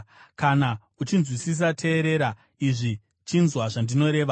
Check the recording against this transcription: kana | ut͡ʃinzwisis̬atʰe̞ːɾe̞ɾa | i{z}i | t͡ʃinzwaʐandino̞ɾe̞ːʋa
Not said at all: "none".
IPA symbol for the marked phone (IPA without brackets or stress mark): ʐ